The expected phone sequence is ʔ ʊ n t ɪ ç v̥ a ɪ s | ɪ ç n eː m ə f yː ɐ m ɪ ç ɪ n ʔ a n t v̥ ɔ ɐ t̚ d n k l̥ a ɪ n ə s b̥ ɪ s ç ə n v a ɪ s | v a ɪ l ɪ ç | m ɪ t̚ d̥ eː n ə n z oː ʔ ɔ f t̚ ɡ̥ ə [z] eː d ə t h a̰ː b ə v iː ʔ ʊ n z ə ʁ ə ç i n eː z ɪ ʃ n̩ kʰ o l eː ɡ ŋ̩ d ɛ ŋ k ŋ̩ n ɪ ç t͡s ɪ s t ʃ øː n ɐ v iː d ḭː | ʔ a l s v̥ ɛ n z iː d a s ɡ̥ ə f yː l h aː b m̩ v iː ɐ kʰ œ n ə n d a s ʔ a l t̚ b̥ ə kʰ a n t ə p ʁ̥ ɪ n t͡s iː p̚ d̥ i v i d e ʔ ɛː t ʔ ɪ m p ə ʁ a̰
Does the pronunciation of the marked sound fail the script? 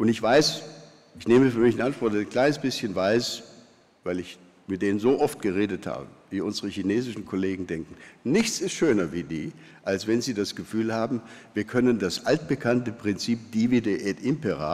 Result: yes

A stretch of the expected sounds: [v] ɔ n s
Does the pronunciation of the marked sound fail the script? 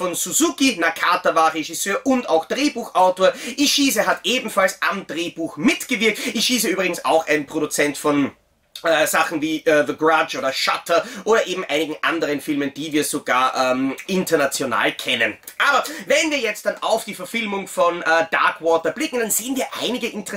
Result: yes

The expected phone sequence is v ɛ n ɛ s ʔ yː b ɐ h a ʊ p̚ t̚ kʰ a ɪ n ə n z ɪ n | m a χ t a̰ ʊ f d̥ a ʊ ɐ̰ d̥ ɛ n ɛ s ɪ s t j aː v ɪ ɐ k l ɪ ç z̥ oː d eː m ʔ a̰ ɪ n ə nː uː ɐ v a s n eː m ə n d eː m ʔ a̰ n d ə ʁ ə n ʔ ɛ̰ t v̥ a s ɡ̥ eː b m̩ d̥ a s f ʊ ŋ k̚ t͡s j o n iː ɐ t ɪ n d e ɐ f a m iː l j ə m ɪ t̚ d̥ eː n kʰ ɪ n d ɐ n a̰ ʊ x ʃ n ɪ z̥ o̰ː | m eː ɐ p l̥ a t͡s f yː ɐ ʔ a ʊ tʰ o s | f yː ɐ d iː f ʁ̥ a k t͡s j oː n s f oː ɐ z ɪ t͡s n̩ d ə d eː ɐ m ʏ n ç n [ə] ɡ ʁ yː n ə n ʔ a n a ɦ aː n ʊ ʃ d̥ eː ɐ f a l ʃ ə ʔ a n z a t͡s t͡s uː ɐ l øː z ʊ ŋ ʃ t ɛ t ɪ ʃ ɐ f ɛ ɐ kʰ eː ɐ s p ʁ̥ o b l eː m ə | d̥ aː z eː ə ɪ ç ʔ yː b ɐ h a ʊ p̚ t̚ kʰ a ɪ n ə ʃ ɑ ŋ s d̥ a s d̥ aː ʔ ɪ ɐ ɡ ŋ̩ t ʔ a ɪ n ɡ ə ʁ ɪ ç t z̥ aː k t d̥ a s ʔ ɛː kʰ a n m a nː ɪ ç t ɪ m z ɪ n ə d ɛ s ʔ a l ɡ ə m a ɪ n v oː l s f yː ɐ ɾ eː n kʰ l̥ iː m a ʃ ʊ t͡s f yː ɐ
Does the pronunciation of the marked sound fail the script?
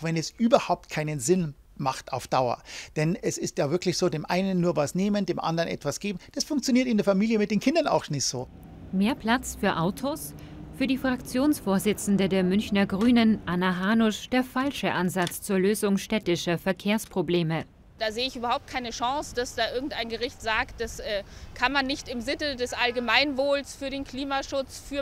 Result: yes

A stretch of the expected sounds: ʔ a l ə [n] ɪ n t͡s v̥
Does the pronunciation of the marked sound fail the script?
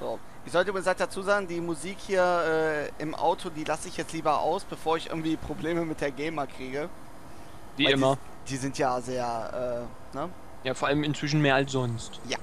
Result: yes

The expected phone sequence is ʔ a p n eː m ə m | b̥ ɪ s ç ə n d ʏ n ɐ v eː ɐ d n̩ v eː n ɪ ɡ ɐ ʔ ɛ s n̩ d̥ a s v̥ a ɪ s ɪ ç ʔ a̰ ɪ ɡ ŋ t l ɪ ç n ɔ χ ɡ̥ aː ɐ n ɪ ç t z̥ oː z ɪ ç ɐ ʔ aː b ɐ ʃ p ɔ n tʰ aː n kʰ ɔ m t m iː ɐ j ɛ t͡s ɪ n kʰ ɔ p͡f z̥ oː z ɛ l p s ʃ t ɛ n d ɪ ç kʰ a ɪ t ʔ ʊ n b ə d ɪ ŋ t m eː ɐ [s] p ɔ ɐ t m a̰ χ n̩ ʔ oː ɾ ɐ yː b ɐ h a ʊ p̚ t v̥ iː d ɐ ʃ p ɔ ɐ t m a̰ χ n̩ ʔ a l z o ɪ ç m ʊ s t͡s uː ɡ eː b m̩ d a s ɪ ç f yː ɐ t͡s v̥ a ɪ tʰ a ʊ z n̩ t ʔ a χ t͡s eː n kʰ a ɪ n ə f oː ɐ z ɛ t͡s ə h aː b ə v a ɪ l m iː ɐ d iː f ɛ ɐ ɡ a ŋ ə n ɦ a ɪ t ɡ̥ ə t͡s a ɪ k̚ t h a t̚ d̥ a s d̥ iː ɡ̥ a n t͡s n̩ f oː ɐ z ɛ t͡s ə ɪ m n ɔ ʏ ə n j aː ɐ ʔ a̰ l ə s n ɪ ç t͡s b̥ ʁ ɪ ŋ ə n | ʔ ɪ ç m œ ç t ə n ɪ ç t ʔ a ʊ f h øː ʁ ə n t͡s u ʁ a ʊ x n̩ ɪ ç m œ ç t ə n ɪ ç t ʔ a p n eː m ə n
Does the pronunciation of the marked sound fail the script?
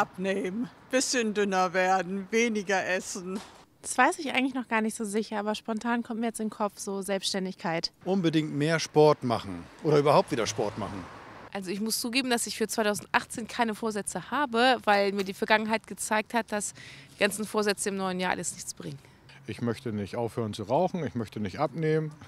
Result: yes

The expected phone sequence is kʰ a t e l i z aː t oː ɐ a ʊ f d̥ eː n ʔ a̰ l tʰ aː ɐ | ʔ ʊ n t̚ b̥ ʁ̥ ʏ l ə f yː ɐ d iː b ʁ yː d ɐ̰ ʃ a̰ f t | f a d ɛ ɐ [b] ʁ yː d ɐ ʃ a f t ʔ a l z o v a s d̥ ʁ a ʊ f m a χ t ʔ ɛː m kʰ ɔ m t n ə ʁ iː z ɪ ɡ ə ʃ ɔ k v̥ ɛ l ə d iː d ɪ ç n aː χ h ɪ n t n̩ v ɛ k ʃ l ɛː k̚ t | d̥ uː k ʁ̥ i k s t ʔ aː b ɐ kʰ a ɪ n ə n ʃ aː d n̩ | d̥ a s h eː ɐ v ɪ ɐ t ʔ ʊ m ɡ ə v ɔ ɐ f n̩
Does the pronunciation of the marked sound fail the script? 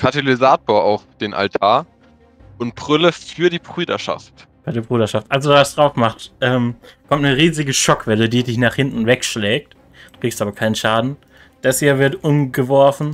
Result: no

